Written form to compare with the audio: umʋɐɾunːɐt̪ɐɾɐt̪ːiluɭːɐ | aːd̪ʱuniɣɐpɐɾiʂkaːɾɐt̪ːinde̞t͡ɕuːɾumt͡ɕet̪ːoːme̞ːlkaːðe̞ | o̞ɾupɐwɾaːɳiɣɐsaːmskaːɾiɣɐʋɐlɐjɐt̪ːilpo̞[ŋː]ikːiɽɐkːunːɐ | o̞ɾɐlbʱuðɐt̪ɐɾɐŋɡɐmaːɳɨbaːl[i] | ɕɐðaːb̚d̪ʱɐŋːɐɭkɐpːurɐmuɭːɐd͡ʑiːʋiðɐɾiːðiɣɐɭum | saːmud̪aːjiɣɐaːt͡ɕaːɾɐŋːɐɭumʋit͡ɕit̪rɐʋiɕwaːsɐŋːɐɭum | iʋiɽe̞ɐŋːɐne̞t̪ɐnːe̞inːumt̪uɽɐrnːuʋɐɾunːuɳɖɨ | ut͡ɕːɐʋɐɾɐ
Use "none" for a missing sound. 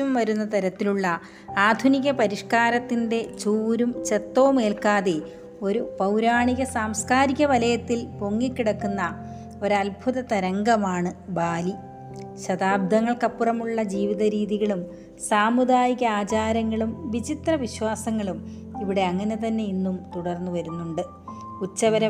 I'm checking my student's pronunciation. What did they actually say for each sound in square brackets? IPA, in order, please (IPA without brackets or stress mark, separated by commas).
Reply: ŋː, i